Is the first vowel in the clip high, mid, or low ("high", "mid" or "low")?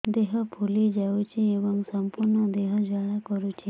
mid